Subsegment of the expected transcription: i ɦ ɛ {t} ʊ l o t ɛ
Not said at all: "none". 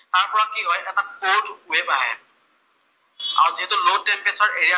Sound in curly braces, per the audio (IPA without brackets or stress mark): t